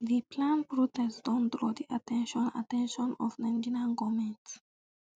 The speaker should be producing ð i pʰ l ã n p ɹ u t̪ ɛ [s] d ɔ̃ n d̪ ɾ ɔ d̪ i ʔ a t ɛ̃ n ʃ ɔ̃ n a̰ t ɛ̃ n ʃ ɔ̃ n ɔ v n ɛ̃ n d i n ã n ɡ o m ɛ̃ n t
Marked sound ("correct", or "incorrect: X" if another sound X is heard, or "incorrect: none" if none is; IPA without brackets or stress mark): correct